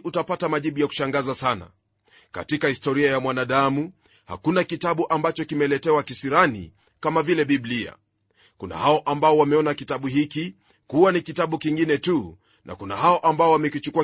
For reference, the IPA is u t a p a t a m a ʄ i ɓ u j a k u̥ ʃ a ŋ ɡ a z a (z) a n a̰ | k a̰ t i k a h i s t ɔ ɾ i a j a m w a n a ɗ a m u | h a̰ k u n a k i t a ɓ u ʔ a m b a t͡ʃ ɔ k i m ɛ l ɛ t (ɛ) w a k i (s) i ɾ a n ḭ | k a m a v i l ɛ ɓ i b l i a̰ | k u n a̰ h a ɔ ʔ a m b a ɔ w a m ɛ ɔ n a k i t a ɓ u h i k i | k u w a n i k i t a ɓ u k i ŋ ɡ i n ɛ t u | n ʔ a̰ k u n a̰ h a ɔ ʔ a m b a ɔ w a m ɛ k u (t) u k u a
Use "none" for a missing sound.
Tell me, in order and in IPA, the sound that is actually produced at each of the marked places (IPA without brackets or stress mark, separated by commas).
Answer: s, ɛ, s, t͡ʃ